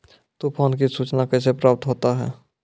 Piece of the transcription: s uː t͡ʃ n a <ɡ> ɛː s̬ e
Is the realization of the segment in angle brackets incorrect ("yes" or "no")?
yes